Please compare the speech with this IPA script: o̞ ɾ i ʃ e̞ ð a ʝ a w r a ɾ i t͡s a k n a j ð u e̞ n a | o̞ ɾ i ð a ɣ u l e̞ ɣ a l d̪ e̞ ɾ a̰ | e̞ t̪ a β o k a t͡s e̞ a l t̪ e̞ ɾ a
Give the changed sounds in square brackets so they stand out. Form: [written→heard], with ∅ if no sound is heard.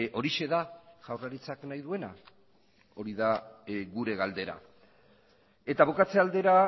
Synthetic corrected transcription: o̞ ɾ i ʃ e̞ ð a ʝ a w r a ɾ i t͡s a k n a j ð u e̞ n a | o̞ ɾ i ð a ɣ u [l→ɾ] e̞ ɣ a l d̪ e̞ ɾ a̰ | e̞ t̪ a β o k a t͡s e̞ a l [t̪→d̪] e̞ ɾ a